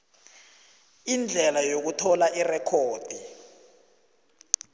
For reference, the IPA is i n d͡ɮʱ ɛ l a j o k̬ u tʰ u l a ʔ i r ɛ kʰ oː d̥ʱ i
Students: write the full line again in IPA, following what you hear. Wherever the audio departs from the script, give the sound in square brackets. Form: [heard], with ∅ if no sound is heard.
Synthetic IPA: i n d͡ɮʱ ɛ l a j o k̬ u tʰ [ɔ] l a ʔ i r ɛ kʰ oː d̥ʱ i

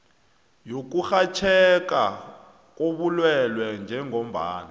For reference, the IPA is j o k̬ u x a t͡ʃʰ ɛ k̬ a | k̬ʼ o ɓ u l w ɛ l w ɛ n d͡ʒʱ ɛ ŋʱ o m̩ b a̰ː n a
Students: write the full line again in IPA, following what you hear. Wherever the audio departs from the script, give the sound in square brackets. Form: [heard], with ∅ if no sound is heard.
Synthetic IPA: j o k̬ u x a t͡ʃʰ ɛ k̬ a | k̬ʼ o ɓ u l w ɛ l w ɛ n d͡ʒʱ ɛ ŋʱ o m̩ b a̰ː n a

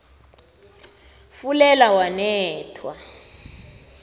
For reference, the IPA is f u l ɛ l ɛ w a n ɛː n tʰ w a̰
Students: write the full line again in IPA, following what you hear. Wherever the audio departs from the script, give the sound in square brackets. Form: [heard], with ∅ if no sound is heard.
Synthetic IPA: f u l ɛ l [a] w a n ɛː [∅] tʰ w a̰

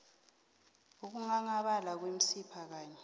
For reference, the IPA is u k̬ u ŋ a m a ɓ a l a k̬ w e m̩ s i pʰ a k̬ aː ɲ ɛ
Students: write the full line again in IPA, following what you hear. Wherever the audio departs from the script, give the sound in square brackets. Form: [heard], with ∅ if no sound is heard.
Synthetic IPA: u k̬ u ŋ a [ŋ] a ɓ a l a k̬ w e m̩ s i pʰ a k̬ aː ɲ ɛ

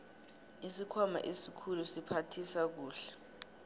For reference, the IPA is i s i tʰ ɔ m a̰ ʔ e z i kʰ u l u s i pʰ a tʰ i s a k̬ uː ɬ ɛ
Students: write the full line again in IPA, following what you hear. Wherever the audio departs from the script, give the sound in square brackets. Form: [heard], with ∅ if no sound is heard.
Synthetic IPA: i s i [kʰ] ɔ m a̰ ʔ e [s] i kʰ u l u s i pʰ a tʰ i s a k̬ uː ɬ ɛ

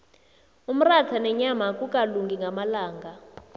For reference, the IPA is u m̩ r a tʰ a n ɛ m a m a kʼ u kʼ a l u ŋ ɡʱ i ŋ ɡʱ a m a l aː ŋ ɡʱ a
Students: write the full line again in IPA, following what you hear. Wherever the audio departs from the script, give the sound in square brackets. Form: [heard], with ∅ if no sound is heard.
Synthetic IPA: u m̩ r a tʰ a n ɛ [ɲ] a m a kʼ u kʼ a l u ŋ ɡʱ i ŋ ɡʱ a m a l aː ŋ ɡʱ a

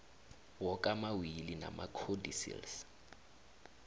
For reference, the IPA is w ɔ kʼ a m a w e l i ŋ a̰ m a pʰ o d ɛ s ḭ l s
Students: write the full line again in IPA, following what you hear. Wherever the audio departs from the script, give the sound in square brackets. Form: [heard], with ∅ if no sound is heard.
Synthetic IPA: w ɔ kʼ a m a w [i] l i [n] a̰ m a [kʰ] o d [i] s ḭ l s

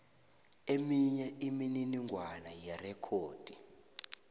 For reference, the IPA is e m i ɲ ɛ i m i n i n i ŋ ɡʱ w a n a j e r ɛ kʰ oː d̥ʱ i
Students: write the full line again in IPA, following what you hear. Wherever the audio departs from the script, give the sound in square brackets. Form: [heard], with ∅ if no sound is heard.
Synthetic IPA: e m i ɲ ɛ i m i n i n i ŋ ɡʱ w a n a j [ɛ] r ɛ kʰ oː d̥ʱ i

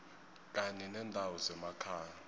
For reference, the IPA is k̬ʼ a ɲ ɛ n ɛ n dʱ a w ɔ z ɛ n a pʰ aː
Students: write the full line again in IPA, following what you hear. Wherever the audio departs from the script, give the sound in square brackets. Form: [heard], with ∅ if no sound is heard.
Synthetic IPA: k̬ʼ a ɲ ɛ n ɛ n dʱ a w ɔ z ɛ [m] a [kʰ] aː

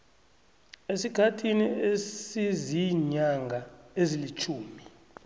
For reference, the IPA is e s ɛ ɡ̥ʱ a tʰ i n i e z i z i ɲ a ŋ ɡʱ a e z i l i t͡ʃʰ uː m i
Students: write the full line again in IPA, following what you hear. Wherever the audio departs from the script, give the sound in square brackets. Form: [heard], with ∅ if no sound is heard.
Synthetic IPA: e s [i] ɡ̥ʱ a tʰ i n i e [s] i z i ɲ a ŋ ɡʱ a e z i l i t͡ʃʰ uː m i

